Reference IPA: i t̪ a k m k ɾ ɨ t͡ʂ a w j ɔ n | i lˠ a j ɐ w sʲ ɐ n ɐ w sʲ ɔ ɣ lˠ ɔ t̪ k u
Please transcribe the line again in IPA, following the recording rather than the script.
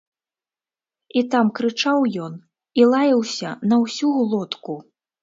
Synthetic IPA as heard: i t̪ a m k ɾ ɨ t͡ʂ a w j ɔ n | i lˠ a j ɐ w sʲ ɐ n ɐ w sʲ u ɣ lˠ ɔ t̪ k u